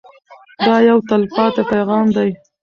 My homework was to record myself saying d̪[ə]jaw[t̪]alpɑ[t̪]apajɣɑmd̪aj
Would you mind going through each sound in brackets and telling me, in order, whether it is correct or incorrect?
incorrect: ɑ, correct, correct

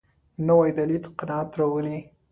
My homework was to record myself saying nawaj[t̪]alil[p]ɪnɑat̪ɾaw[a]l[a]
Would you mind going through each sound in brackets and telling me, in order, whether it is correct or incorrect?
incorrect: d̪, incorrect: q, incorrect: ə, incorrect: i

